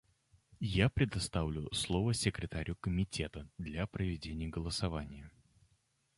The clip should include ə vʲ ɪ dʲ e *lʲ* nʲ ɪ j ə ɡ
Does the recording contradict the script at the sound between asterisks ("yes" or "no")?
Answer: yes